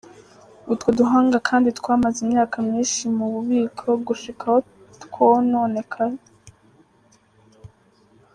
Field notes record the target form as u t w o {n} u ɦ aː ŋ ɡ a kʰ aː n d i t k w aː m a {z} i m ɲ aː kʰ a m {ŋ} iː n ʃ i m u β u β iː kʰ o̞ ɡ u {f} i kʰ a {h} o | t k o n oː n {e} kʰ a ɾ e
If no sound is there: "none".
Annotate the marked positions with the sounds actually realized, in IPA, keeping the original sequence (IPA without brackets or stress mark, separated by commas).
d, z, ɲ, ʃ, h, e